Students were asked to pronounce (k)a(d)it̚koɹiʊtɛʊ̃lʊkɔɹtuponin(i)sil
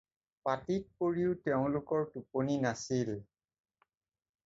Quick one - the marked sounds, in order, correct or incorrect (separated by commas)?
incorrect, incorrect, incorrect